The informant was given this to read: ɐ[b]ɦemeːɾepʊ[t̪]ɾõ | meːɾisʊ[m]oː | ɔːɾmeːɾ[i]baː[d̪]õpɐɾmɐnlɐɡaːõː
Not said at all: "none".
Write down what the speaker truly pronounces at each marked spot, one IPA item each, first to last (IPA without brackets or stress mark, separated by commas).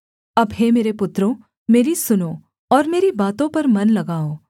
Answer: b, t̪, n, i, t̪